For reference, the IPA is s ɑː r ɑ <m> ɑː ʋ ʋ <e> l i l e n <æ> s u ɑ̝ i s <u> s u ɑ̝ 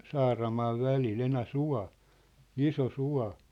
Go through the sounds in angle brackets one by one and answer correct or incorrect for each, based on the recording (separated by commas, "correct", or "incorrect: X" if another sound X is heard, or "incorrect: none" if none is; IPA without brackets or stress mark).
correct, incorrect: æ, correct, incorrect: o